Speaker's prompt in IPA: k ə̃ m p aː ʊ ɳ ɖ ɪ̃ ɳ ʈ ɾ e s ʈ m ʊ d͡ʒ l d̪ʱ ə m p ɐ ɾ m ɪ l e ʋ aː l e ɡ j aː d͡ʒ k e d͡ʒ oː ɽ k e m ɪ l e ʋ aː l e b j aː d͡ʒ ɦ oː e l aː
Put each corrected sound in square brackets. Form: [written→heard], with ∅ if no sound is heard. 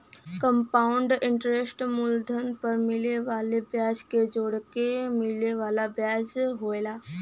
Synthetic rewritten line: k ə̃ m p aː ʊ ɳ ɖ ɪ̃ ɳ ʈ ɾ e s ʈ m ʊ [d͡ʒ→∅] l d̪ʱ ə [m→n] p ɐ ɾ m ɪ l e ʋ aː l e [ɡ→b] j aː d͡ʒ k e d͡ʒ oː ɽ k e m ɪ l e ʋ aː l [e→a] b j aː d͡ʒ ɦ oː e l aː